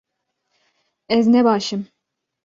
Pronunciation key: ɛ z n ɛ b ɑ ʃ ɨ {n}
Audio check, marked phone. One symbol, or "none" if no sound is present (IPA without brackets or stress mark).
m